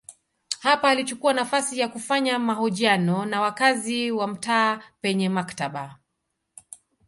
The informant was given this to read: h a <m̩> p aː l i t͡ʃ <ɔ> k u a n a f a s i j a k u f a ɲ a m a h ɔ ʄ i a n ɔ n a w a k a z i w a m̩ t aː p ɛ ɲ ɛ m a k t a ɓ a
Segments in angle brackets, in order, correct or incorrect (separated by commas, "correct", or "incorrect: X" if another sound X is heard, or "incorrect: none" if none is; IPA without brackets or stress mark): incorrect: none, incorrect: u